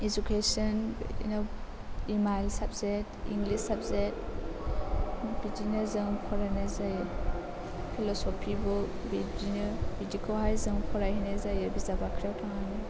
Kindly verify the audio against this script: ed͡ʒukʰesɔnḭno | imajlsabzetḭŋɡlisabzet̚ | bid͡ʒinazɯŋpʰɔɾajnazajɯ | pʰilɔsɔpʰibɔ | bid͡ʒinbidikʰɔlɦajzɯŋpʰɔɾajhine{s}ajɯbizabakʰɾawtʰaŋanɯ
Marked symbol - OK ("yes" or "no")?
no